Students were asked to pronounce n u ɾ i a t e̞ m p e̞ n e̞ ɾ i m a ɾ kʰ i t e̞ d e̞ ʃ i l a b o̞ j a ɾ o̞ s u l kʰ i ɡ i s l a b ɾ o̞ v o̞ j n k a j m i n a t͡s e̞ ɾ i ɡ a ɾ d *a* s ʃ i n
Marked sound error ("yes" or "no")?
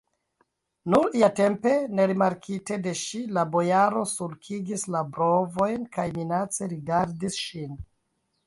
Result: yes